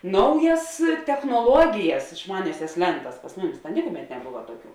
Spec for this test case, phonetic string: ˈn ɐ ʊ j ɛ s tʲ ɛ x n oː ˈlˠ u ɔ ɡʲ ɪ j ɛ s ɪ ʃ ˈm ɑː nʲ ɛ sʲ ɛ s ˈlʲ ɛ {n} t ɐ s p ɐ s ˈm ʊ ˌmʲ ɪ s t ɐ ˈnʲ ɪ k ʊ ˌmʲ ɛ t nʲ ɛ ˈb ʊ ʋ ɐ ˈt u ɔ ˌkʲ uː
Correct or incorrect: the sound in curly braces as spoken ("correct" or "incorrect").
correct